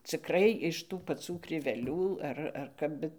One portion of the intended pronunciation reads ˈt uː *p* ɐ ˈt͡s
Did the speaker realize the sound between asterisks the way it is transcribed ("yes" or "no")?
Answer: yes